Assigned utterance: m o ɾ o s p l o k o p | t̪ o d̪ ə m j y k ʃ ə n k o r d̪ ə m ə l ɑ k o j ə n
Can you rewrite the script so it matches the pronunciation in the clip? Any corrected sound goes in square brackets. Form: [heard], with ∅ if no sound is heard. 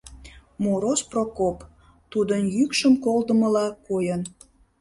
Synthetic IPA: m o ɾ o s p [r] o k o p | t̪ [u] d̪ ə [n] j y k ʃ ə [m] k o [l] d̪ ə m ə l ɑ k o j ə n